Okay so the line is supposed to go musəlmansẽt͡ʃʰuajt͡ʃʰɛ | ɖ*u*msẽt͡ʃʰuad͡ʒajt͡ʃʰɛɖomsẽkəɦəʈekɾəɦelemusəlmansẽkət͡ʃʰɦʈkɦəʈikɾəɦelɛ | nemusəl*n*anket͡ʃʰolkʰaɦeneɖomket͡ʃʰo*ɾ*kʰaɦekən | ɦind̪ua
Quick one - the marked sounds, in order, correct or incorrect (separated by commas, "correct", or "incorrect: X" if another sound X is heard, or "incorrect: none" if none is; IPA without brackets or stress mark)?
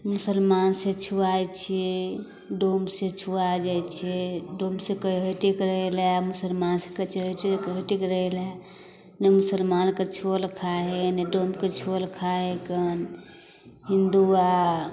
incorrect: o, incorrect: m, incorrect: l